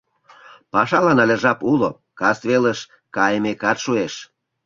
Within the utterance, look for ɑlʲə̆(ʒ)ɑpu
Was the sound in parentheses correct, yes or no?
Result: yes